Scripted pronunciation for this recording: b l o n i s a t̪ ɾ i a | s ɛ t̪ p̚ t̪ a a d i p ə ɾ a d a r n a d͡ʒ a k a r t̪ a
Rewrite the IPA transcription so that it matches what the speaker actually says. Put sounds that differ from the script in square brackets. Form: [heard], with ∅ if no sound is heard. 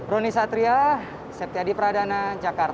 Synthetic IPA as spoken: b [ɾ] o n i s a t̪ ɾ i a | s ɛ [∅] p̚ t̪ [i] a d i p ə ɾ a d a [∅] n a d͡ʒ a k a r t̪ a